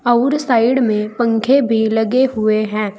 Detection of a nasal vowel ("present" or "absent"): present